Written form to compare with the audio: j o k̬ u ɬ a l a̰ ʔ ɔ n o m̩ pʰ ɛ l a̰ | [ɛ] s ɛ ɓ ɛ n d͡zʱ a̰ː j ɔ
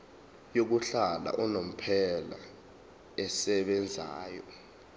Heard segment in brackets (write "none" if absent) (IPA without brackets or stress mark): ɛ